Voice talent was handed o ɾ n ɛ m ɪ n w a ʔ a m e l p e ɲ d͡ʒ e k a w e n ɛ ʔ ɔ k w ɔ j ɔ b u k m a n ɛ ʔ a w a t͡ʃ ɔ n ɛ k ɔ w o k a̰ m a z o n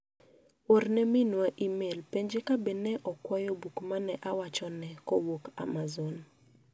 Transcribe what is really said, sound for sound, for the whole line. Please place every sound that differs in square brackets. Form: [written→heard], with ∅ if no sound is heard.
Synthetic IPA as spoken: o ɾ n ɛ m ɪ n w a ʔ [a→i] m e l p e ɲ d͡ʒ e k a [w→b] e n ɛ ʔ ɔ k w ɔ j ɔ b u k m a n ɛ ʔ a w a t͡ʃ ɔ n ɛ k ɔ w o k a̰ m a z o n